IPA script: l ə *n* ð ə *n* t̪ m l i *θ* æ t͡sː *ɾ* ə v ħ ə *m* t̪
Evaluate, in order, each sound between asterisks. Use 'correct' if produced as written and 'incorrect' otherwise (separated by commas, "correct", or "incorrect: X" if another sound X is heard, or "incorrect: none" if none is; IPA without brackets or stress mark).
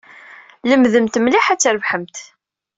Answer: incorrect: m, incorrect: m, incorrect: ħ, correct, correct